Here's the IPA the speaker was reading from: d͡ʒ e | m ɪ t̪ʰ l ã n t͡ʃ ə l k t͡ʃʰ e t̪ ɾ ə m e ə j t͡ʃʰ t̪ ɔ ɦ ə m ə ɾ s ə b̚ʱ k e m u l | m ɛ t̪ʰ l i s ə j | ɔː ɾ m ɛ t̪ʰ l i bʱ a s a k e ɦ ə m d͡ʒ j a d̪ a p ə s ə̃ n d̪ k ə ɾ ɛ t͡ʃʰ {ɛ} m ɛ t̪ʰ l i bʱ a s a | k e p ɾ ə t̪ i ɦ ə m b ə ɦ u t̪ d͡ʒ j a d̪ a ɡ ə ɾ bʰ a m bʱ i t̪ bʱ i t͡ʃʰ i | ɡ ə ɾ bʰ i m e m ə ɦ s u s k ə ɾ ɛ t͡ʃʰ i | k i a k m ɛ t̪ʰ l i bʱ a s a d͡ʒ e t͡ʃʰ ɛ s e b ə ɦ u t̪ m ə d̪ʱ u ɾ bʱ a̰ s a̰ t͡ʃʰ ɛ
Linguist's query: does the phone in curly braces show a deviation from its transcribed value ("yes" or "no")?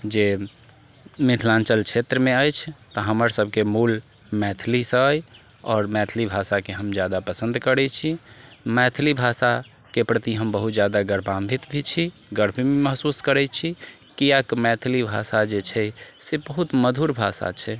yes